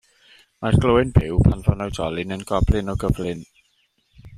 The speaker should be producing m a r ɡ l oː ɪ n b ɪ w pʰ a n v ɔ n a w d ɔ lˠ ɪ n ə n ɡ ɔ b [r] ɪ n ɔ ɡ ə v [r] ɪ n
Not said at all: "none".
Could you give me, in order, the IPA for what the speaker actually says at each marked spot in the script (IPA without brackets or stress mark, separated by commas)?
l, l